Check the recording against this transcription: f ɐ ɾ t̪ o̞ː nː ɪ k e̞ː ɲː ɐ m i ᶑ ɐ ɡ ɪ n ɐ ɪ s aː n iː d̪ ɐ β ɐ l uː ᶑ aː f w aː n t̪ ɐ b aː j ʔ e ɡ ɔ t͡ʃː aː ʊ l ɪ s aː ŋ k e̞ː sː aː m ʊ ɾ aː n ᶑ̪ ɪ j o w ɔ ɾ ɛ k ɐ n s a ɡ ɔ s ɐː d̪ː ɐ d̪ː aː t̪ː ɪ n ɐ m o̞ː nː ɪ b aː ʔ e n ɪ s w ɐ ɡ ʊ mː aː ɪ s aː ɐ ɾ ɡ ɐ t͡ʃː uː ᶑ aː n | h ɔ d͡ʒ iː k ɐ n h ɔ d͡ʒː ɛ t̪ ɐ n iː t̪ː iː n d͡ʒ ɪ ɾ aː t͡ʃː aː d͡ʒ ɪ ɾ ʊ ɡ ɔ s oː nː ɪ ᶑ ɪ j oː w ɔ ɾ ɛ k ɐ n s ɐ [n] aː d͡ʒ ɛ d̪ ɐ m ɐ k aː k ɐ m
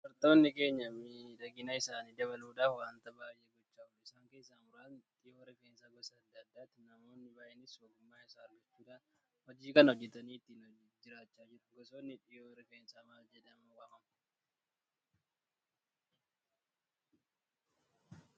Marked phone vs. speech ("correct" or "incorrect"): incorrect